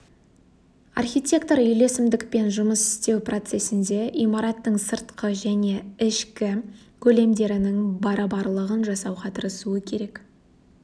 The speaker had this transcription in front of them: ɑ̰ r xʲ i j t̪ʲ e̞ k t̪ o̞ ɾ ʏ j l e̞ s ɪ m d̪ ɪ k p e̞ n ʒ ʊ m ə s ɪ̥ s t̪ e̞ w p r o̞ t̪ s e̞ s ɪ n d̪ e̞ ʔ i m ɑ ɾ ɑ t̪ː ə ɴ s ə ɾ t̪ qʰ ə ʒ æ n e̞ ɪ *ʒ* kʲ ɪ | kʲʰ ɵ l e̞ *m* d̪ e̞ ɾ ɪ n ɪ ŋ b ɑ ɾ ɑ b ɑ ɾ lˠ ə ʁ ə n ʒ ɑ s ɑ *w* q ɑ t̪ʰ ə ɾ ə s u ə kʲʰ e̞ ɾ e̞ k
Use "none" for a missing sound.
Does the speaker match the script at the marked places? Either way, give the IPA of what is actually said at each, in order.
ʃ, m, w

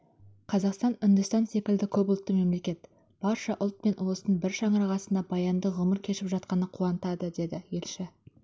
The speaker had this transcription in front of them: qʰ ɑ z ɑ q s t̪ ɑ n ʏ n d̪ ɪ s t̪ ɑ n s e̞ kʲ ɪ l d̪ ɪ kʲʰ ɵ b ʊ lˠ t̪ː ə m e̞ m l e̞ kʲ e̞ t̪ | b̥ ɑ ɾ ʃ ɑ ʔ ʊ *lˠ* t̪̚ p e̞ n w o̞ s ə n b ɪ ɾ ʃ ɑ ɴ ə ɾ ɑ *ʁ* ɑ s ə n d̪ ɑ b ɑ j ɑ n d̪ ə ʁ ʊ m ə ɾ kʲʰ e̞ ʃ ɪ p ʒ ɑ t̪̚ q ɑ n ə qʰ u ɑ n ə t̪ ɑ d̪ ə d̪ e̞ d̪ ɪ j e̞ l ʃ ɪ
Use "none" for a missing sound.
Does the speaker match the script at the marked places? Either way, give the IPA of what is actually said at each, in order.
lˠ, ʁ

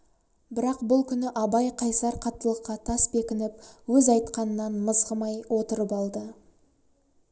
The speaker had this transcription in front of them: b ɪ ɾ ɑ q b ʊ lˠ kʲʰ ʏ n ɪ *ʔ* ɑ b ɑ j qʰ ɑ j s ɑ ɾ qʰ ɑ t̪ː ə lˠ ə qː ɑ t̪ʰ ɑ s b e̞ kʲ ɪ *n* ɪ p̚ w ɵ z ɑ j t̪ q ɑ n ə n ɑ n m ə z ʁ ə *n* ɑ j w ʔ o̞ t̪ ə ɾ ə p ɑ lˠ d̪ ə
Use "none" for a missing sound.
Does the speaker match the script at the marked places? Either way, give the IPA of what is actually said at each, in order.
ʔ, n, m

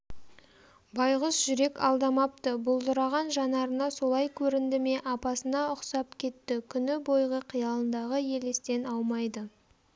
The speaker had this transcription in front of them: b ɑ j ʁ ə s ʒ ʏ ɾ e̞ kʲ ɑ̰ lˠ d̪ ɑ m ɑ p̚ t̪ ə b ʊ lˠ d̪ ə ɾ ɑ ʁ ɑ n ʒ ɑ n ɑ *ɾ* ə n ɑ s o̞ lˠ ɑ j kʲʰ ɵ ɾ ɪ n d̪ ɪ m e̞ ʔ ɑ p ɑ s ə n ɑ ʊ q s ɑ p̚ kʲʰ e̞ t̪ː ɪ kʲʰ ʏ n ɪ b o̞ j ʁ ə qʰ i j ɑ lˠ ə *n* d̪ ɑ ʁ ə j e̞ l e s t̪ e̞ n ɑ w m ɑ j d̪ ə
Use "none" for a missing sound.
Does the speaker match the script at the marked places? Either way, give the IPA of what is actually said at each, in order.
ɾ, n

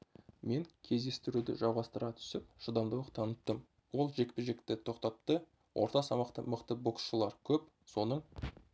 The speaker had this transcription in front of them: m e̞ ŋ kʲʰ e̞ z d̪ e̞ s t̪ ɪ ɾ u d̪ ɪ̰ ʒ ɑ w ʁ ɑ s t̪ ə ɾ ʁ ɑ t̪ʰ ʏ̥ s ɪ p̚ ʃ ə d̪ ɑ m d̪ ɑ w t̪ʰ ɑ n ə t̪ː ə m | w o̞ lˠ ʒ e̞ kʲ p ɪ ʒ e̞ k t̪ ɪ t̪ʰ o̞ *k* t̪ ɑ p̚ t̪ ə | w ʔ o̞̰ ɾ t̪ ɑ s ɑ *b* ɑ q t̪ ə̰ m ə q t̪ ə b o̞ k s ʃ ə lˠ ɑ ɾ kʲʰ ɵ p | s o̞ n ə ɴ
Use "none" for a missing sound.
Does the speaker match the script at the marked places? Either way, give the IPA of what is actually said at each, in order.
q, m

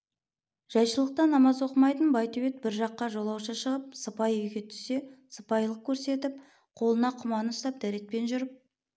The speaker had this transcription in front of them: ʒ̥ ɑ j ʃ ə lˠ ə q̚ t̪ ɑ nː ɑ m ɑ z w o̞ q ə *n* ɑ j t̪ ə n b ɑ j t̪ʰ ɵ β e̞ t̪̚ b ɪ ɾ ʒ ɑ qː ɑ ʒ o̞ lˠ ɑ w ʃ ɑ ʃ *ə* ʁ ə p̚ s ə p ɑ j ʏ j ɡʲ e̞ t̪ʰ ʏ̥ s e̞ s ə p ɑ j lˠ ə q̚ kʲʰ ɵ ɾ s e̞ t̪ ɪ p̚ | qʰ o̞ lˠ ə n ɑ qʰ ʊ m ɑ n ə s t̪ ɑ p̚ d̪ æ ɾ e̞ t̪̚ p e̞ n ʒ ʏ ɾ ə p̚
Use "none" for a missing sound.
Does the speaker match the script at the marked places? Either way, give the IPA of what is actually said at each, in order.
m, ə

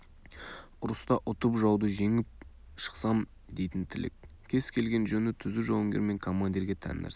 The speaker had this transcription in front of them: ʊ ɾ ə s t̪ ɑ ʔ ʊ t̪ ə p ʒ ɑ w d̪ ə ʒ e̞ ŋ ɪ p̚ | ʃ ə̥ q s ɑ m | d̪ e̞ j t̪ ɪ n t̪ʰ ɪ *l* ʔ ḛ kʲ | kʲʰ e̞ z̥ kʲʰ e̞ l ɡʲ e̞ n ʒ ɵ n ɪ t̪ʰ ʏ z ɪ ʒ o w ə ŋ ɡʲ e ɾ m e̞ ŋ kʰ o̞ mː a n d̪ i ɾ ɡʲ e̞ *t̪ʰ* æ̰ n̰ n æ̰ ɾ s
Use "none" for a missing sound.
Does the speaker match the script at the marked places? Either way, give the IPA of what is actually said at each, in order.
l, t̪ʰ

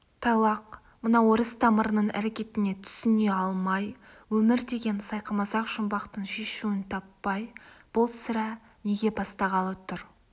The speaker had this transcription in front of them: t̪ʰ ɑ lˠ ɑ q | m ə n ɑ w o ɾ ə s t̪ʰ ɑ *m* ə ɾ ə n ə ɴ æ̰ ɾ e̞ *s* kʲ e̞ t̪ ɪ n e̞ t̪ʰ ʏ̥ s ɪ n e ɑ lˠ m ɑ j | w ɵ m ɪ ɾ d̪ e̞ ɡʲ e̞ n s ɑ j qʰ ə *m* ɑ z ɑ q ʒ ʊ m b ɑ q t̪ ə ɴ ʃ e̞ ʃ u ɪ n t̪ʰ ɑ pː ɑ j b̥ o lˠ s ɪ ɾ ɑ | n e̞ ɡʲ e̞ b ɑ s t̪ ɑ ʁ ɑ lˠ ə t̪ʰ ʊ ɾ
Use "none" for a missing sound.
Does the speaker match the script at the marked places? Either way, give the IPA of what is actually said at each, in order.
m, none, m

